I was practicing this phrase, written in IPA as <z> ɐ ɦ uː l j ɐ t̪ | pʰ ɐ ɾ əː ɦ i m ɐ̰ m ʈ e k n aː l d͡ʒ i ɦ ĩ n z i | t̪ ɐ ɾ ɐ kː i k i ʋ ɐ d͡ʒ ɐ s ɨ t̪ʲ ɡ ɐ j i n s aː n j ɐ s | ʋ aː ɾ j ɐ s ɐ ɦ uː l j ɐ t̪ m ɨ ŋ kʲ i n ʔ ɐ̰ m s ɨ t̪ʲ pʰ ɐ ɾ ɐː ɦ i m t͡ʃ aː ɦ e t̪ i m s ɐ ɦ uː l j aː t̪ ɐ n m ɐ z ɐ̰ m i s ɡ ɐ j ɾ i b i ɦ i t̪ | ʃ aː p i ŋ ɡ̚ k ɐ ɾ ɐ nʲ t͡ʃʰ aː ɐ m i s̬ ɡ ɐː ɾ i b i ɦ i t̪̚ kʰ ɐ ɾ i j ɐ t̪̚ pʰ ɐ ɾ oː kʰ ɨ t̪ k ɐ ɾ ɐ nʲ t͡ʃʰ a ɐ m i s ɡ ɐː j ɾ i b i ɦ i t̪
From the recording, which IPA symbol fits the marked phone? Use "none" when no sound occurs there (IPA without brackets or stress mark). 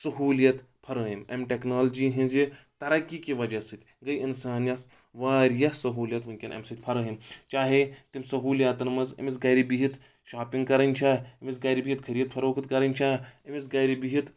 s